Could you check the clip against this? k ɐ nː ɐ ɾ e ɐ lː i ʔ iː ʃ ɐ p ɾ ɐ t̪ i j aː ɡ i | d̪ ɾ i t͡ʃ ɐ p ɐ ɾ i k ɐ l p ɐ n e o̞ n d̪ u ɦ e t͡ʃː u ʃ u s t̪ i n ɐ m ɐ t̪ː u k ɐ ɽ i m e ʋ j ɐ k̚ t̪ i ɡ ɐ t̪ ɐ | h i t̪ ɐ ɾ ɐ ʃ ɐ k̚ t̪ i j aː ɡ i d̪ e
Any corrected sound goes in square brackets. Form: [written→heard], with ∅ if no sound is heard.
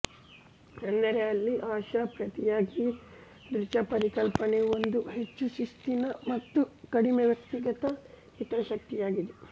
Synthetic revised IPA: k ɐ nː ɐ ɾ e ɐ lː i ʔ [iː→aː] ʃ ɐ p ɾ ɐ t̪ i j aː ɡ i | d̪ ɾ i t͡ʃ ɐ p ɐ ɾ i k ɐ l p ɐ n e o̞ n d̪ u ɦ e t͡ʃː u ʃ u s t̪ i n ɐ m ɐ t̪ː u k ɐ ɽ i m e ʋ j ɐ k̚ t̪ i ɡ ɐ t̪ ɐ | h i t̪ ɐ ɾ ɐ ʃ ɐ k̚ t̪ i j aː ɡ i d̪ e